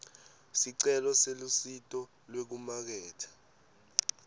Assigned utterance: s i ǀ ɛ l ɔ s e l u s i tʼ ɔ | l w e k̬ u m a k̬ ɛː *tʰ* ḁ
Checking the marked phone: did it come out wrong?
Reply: no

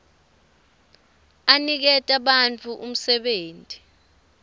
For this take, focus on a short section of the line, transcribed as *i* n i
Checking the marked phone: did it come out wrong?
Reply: yes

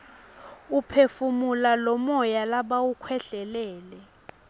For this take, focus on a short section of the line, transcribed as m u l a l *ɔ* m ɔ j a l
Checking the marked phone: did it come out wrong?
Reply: no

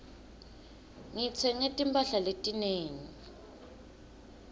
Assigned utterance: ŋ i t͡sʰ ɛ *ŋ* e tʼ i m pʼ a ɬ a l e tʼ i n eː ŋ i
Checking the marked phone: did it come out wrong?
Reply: no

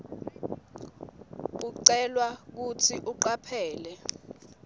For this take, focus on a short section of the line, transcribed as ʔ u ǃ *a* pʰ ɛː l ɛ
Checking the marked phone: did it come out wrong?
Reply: no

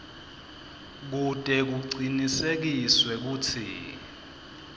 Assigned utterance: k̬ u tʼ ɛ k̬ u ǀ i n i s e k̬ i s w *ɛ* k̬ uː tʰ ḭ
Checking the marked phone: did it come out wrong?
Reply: no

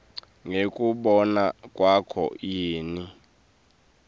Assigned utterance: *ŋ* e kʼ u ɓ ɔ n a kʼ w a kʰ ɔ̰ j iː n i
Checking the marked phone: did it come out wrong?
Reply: no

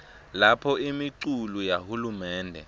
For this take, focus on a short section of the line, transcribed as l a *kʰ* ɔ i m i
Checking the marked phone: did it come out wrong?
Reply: yes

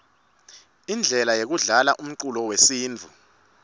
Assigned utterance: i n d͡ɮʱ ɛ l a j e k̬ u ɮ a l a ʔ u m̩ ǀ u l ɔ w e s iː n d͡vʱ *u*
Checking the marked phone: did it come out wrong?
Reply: no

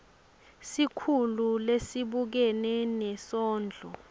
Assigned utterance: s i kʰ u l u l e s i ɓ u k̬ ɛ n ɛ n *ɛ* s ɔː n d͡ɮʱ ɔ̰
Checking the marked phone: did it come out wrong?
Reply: no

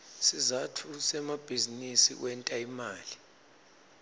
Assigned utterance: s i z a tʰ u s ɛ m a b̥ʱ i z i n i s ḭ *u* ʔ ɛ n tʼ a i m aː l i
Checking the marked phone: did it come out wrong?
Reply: yes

